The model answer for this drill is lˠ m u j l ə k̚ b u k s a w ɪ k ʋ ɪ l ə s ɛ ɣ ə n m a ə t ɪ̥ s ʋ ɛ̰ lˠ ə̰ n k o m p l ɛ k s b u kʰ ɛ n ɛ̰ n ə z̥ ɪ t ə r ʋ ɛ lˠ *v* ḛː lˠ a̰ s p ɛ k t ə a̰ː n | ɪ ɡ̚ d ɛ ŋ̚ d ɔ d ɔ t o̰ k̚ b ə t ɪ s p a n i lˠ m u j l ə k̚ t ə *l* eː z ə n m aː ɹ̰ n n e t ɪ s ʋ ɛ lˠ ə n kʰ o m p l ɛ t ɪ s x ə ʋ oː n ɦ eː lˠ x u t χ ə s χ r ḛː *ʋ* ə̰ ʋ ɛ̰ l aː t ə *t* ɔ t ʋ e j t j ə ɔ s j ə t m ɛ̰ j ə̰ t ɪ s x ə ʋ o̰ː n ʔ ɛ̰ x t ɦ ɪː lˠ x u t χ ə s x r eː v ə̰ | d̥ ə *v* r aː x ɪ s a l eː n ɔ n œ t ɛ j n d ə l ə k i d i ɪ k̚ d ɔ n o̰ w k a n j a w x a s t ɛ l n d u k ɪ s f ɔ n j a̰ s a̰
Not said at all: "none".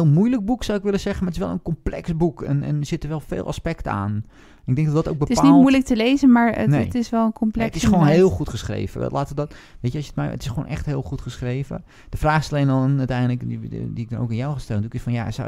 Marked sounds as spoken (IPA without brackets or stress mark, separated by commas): f, l, v, d, f